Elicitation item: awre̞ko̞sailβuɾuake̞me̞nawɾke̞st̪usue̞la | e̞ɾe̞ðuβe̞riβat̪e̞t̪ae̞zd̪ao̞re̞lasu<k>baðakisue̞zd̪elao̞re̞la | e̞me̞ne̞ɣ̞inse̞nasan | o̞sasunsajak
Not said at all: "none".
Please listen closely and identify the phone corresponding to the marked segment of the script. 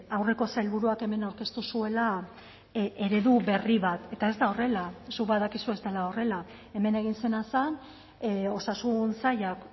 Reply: k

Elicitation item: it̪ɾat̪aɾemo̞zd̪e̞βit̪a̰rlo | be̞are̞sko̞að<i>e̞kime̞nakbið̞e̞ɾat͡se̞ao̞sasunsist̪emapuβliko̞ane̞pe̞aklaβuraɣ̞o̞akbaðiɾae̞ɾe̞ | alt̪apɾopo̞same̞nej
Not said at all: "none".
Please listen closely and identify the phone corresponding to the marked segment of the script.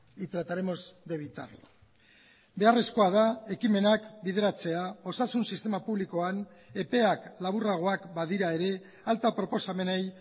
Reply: a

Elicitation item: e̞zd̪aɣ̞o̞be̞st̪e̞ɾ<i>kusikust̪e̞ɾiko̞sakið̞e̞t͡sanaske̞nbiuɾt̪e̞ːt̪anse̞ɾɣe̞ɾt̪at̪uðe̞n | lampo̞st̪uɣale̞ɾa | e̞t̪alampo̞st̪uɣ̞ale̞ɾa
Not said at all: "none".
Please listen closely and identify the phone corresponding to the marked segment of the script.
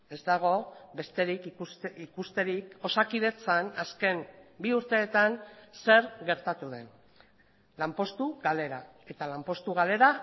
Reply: i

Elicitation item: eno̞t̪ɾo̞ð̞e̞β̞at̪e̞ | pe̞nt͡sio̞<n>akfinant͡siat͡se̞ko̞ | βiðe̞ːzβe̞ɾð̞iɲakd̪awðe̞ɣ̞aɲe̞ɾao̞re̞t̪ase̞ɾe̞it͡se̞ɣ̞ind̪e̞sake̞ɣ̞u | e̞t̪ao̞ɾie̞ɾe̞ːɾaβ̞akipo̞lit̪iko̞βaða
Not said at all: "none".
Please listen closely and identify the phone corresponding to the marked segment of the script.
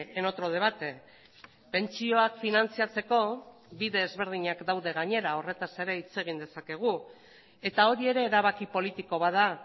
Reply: none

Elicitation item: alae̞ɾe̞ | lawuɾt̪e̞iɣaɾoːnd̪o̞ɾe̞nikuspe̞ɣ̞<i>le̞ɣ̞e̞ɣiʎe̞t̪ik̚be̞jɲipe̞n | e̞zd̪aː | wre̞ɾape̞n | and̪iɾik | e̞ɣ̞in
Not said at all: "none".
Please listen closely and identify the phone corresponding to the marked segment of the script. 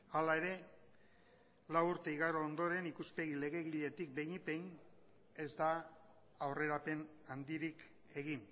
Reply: i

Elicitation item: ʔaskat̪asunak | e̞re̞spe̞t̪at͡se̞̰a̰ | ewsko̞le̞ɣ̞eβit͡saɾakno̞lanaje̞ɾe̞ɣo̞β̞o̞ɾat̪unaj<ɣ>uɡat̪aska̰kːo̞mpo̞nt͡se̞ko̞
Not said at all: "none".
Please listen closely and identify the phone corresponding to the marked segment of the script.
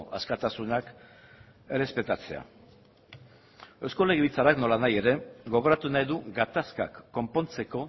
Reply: ð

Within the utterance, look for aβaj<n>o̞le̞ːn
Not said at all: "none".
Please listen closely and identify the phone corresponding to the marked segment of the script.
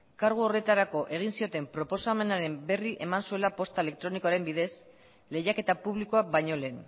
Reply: ɲ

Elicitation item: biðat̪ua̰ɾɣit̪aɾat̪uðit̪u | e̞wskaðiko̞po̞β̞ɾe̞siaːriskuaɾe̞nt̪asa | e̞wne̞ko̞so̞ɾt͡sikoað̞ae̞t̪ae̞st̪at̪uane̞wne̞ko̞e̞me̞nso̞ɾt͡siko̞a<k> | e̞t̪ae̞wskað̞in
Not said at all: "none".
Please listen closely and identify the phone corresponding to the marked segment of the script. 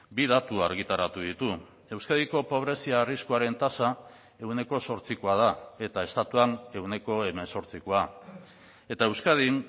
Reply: none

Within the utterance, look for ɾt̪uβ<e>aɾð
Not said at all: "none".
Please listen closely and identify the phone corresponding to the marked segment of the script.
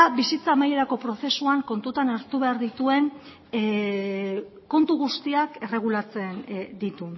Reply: e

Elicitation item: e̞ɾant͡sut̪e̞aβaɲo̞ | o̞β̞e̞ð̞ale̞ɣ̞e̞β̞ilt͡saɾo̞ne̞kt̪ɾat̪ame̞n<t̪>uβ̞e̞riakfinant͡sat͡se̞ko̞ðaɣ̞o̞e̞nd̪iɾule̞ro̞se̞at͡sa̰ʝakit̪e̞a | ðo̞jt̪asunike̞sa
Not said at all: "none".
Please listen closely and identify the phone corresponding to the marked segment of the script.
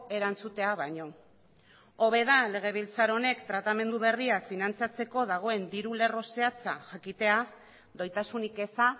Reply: d̪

